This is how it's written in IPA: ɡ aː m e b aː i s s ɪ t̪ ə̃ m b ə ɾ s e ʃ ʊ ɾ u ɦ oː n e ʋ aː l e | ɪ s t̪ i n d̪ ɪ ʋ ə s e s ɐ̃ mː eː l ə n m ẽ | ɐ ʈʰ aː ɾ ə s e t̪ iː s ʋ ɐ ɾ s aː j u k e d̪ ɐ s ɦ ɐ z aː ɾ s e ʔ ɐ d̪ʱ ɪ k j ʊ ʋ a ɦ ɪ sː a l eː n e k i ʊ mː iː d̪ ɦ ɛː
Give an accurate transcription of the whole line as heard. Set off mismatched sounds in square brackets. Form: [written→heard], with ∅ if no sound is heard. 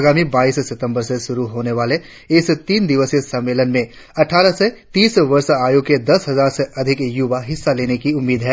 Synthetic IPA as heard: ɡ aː m [e→i] b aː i s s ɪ t̪ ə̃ m b ə ɾ s e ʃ ʊ ɾ u ɦ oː n e ʋ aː l e | ɪ s t̪ [i→iː] n d̪ ɪ ʋ ə s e s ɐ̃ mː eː l ə n m ẽ | ɐ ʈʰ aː ɾ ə s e t̪ iː s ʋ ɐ ɾ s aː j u k e d̪ ɐ s ɦ ɐ z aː ɾ s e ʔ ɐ d̪ʱ ɪ k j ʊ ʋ a ɦ ɪ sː a l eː n e k i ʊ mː iː d̪ ɦ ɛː